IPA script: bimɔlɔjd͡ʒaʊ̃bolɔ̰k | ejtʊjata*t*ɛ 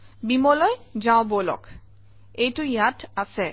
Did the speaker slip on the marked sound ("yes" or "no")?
yes